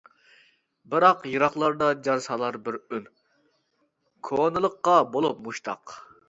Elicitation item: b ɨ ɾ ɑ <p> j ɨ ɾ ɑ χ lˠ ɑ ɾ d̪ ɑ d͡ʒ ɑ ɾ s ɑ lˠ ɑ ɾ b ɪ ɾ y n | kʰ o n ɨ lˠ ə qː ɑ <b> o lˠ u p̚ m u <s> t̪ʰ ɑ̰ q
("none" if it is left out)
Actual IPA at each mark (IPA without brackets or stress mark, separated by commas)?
q, b, ʃ